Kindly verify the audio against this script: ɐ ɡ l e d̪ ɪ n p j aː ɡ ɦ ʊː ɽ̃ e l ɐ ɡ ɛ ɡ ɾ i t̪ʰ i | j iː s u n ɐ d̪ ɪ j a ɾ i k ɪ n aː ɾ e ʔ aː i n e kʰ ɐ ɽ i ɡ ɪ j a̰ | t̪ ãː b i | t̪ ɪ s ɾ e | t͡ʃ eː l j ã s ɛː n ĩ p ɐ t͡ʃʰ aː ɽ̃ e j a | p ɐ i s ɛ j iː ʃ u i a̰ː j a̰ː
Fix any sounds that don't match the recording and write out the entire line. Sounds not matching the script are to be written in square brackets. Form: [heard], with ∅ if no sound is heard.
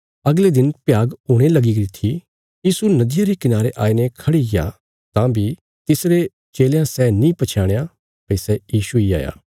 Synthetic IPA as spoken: ɐ ɡ l e d̪ ɪ n p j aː ɡ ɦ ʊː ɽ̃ e l ɐ ɡ [i] ɡ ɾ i t̪ʰ i | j iː s u n ɐ d̪ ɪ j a ɾ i k ɪ n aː ɾ e ʔ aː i n e kʰ ɐ ɽ i ɡ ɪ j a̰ | t̪ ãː b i | t̪ ɪ s ɾ e | t͡ʃ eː l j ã s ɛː n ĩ p ɐ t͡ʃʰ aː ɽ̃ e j a | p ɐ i s ɛ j iː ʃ u i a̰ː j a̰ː